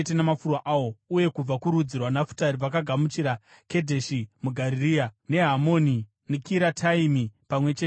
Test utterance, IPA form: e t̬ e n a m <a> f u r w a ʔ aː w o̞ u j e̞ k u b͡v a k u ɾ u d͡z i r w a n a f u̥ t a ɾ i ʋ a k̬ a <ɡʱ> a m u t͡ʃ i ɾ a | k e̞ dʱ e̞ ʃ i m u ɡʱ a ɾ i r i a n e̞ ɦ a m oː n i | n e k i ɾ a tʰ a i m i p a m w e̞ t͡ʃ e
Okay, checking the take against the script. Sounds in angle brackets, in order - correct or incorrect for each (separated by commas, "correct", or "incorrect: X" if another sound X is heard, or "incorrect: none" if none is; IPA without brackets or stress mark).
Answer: correct, correct